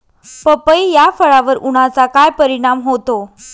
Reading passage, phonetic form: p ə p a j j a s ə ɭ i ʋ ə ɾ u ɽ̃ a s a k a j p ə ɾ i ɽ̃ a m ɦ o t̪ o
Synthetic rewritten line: p ə p ə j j a f ə ɭ a ʋ ə ɾ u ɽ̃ a t͡s a k a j p ə ɾ i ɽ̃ a m ɦ o t̪ o

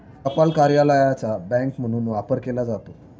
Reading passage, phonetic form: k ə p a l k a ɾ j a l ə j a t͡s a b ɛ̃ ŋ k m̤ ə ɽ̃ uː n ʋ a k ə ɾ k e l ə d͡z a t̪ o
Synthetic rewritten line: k ə p a l k a ɾ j a l ə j a t͡s a b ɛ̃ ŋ k m̤ ə ɽ̃ uː n ʋ a p ə ɾ k e l a d͡z a t̪ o

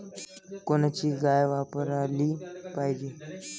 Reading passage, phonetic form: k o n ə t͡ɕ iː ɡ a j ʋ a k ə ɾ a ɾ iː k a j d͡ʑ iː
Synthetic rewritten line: k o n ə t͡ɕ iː ɡ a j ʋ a p ə ɾ a l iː p a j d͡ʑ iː

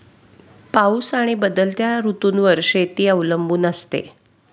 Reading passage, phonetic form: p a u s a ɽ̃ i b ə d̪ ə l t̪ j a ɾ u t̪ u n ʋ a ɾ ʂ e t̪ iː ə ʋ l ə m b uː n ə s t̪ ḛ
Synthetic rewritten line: p a u s a ɽ̃ i b ə d̪ ə l t̪ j a ɾ u t̪ uː n ʋ ə ɾ ʂ e t̪ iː ə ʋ l ə m b uː n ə s t̪ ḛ

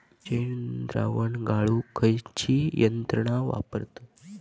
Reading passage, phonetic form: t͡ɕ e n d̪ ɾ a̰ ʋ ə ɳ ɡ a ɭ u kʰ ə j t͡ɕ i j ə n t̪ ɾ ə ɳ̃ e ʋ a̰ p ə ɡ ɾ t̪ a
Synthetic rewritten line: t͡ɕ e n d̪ ɾ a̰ ʋ ə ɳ ɡ a ɭ u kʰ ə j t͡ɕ i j ə n t̪ ɾ ə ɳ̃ a ʋ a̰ p ə ɾ t̪ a

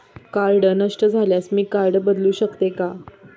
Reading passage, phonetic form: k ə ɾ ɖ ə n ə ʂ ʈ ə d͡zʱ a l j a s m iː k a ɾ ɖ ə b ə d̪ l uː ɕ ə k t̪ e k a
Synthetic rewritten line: k a ɾ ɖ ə n ə ʂ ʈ ə d͡zʱ a l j a s m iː k a ɾ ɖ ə b ə d̪ l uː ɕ ə k t̪ e k a

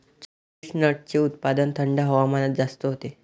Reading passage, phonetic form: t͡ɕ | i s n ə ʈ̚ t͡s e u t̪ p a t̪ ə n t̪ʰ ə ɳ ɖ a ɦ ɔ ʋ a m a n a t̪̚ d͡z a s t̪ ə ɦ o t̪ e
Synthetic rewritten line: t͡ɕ | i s n ə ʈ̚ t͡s e u t̪ p a d̪ ə n t̪ʰ ə ɳ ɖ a ɦ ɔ ʋ a m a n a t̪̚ d͡z a s t̪ ə ɦ o t̪ e

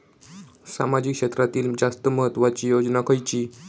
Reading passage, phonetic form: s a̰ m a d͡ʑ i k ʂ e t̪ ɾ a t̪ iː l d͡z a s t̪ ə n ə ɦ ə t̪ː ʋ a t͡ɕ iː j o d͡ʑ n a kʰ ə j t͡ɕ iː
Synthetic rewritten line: s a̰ m a d͡ʑ i k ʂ e t̪ ɾ a t̪ iː l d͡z a s t̪ ə m ə ɦ ə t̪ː ʋ a t͡ɕ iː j o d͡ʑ n a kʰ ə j t͡ɕ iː

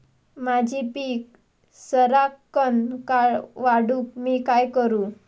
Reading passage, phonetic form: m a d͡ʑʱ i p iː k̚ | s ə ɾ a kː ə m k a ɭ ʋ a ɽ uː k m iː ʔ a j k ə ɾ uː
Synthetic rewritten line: m a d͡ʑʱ i p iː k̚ | s ə ɾ a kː ə n k a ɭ ʋ a ɽ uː k m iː k a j k ə ɾ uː

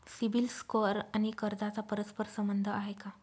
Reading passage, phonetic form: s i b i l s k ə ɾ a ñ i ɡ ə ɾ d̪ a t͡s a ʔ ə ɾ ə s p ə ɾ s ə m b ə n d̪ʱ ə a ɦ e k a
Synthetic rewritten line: s i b i l s k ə ɾ a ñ i k ə ɾ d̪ a t͡s a p ə ɾ ə s p ə ɾ s ə m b ə n d̪ʱ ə a ɦ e k a

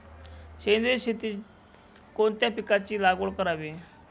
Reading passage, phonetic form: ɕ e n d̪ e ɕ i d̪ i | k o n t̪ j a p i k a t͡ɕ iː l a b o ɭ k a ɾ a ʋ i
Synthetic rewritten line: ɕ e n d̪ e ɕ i t̪ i | k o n t̪ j a p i k a t͡ɕ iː l a ɡ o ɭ k ə ɾ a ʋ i

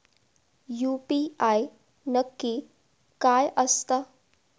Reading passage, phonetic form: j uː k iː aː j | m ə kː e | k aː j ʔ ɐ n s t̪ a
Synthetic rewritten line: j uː p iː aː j | n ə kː i | k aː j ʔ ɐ s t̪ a

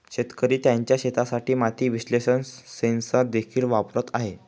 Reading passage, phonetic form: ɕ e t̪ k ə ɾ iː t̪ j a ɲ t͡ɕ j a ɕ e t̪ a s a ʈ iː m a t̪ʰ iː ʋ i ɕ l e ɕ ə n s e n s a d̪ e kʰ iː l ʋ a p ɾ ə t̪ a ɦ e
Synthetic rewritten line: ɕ e t̪ k ə ɾ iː t̪ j a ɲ t͡ɕ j a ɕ e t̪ a s a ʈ iː m a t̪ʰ iː ʋ i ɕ l e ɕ ə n s e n s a d̪ e kʰ iː l ʋ a p ɾ ə t̪ a ɦ e

